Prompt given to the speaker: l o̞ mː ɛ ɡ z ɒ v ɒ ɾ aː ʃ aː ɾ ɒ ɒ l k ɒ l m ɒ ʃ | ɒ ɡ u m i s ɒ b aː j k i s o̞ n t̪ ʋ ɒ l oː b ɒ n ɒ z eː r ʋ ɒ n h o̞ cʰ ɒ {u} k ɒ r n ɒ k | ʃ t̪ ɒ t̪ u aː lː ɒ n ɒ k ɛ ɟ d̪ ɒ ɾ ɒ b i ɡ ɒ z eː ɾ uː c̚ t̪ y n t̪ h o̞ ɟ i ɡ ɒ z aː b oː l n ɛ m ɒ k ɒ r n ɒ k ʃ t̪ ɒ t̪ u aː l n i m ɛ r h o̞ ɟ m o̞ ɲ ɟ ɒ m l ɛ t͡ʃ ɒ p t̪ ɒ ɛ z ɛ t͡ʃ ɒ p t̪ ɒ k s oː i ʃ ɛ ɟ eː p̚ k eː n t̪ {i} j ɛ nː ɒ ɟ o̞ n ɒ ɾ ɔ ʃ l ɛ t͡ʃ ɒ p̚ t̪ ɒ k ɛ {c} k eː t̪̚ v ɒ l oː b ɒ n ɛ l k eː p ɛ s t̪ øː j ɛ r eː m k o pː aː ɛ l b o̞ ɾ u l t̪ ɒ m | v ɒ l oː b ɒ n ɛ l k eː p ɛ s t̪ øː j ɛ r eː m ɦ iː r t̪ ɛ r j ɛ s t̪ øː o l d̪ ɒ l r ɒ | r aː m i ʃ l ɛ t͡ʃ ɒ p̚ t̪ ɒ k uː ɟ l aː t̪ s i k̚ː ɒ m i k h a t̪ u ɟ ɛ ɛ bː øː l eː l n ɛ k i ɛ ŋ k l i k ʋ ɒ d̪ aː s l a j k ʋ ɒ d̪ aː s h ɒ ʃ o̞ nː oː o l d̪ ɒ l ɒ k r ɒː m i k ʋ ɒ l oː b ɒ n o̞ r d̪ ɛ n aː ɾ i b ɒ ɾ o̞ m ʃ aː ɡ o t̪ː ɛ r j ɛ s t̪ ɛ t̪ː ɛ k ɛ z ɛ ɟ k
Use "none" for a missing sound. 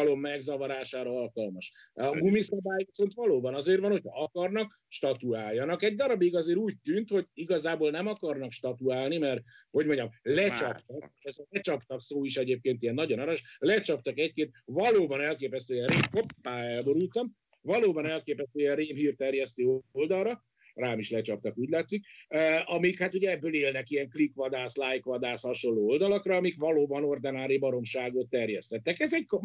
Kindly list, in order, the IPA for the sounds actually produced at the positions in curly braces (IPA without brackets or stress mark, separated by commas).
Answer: ɒ, i, c